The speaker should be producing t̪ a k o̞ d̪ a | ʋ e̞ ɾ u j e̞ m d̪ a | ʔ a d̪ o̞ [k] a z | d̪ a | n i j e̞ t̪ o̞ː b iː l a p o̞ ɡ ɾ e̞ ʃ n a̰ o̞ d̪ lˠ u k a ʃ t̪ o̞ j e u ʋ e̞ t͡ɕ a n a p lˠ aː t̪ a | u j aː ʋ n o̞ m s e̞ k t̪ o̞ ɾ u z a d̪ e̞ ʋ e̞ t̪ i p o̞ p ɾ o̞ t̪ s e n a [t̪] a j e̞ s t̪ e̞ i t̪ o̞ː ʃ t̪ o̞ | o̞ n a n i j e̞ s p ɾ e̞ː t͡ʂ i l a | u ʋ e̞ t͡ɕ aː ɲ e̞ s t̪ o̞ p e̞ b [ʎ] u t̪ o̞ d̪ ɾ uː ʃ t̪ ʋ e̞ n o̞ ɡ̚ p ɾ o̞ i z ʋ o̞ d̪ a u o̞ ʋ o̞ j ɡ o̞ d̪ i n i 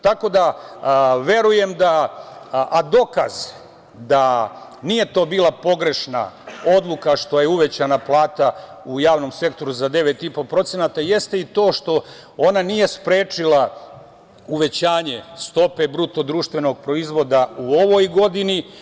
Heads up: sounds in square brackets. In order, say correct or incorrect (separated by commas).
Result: correct, correct, incorrect